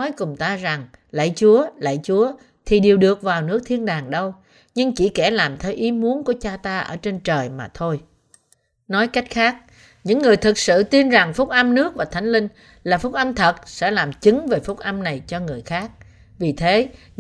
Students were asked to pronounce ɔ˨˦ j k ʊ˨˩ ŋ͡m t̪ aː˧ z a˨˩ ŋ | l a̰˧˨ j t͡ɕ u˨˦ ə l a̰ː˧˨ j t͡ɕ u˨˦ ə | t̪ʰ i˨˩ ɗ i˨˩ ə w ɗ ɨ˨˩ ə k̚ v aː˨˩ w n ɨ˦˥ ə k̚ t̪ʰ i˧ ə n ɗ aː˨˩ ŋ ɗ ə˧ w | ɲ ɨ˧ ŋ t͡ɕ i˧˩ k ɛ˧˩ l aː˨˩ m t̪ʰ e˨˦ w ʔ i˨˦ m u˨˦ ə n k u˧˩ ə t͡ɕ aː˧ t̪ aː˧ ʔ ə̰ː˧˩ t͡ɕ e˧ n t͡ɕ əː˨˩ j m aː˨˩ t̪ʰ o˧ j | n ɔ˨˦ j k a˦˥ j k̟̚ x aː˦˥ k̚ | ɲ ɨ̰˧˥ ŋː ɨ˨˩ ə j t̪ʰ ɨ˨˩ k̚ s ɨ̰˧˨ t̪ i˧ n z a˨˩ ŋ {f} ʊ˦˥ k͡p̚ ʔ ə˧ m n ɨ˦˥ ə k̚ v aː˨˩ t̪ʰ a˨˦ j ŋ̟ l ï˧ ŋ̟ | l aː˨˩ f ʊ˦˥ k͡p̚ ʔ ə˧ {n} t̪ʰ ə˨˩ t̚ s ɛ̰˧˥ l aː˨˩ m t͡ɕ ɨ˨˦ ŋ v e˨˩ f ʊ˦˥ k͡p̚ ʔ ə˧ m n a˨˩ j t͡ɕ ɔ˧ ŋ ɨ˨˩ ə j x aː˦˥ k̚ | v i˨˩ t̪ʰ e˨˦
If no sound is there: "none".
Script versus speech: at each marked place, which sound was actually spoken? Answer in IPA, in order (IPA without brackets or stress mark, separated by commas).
f, m